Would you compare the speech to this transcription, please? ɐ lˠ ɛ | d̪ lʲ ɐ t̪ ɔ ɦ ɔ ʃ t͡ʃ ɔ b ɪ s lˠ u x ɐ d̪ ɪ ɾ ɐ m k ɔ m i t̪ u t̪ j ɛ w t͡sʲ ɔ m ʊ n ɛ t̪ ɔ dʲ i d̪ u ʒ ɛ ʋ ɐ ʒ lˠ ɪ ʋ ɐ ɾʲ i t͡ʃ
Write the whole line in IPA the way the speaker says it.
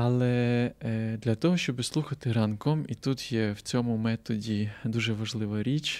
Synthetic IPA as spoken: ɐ lˠ ɛ | d̪ lʲ ɐ t̪ ɔ ɦ ɔ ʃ t͡ʃ ɔ b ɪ s lˠ u x ɐ t̪ ɪ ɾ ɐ n k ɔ m i t̪ u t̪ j ɛ w t͡sʲ ɔ m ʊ m ɛ t̪ ɔ dʲ i d̪ u ʒ ɛ ʋ ɐ ʒ lˠ ɪ ʋ ɐ ɾʲ i t͡ʃ